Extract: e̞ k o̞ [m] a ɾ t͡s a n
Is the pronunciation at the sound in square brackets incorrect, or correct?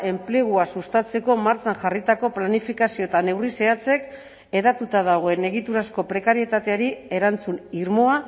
correct